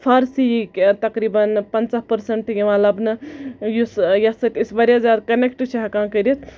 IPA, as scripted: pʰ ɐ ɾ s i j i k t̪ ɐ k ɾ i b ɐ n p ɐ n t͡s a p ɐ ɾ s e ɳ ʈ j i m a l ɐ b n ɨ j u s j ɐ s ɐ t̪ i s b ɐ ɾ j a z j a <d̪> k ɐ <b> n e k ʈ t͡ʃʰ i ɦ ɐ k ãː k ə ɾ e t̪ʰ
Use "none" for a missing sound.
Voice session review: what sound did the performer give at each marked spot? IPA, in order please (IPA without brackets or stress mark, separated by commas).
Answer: d̪, none